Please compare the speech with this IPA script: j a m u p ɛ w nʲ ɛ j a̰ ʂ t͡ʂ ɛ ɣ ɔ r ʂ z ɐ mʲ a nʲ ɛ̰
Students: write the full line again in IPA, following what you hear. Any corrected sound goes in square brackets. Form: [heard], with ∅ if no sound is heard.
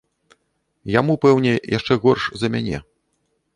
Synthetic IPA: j a m u p ɛ w nʲ ɛ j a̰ ʂ t͡ʂ ɛ ɣ ɔ r ʂ z ɐ mʲ a nʲ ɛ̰